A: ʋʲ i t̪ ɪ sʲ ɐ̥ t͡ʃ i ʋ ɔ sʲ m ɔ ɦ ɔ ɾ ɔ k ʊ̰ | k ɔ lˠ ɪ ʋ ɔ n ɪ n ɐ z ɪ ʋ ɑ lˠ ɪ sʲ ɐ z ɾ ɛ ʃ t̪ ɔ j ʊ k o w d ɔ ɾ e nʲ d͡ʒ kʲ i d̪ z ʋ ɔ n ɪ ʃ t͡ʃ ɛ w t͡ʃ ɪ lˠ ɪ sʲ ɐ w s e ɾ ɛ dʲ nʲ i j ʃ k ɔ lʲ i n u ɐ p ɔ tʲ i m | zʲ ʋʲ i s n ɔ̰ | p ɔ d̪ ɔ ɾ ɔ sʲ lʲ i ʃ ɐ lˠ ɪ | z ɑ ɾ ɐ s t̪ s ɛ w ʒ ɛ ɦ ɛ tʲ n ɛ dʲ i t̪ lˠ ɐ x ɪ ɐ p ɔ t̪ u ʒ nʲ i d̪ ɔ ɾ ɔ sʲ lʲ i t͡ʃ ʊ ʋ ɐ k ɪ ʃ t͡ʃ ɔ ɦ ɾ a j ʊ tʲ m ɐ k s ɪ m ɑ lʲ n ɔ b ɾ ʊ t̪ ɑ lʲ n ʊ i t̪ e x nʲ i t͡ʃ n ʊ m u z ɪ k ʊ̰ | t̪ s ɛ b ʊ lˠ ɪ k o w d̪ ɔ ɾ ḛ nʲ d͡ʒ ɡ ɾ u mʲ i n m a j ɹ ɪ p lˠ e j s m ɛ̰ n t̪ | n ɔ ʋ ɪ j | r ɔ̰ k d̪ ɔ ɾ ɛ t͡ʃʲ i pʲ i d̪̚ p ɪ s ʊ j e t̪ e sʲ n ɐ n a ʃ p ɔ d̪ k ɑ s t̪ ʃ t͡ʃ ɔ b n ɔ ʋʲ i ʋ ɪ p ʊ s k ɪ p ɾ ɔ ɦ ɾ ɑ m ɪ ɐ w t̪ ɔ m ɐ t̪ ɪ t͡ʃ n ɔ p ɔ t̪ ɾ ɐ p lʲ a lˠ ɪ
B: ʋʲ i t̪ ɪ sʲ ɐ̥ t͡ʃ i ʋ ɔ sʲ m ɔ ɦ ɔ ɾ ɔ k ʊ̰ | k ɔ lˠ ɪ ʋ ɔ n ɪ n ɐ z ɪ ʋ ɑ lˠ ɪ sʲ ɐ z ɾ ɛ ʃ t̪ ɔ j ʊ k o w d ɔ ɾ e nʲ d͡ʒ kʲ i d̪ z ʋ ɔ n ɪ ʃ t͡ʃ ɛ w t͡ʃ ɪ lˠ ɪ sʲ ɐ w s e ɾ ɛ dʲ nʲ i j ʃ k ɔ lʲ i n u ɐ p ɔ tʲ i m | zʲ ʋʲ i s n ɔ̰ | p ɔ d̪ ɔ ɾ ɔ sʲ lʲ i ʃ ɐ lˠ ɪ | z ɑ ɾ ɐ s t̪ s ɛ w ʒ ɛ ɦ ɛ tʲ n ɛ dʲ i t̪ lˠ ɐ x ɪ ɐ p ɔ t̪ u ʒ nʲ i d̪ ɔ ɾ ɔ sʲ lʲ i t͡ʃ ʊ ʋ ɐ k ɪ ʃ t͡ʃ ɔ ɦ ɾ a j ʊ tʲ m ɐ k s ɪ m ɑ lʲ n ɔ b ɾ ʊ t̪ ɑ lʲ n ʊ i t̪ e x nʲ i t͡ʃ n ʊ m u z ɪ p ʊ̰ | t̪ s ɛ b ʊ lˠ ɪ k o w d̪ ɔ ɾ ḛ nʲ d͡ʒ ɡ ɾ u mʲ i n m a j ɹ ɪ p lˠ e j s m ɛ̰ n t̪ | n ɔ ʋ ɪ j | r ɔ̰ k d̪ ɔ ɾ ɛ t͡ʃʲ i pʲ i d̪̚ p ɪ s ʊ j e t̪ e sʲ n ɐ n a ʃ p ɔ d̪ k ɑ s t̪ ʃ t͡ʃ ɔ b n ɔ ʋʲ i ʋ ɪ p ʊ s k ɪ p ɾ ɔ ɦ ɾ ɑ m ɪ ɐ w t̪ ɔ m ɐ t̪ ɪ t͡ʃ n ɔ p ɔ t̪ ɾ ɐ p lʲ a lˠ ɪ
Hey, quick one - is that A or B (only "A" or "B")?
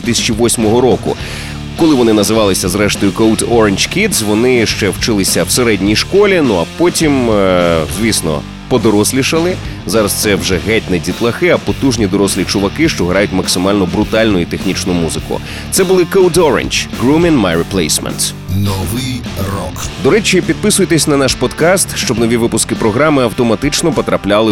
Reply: A